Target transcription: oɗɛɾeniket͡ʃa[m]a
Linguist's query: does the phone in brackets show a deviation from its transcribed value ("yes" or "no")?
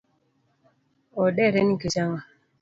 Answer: yes